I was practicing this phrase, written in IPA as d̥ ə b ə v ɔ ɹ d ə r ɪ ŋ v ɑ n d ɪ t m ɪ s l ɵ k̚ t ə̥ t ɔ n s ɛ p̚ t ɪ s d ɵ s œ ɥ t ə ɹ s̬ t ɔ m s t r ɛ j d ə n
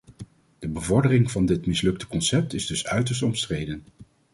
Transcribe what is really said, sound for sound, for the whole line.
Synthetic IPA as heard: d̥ ə b ə v ɔ ɹ d ə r ɪ ŋ v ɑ n d ɪ t m ɪ s l ɵ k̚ t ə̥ k ɔ n s ɛ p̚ t ɪ z d ɵ s œ ɥ t ə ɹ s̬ t ɔ m s t r e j d ə n